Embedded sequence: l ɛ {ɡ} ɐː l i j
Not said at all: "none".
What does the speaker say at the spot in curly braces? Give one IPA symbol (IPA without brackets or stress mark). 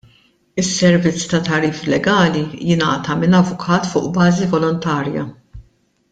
ɡ